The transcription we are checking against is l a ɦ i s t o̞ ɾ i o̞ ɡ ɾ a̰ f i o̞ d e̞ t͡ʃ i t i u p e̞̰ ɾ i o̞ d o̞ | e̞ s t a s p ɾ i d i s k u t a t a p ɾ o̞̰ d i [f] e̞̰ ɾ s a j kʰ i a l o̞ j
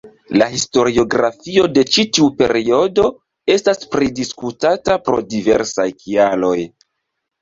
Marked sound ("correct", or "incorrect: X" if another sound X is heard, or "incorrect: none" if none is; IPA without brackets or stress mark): incorrect: v